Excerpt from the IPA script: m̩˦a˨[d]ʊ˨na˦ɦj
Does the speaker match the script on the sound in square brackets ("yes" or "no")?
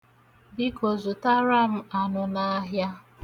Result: no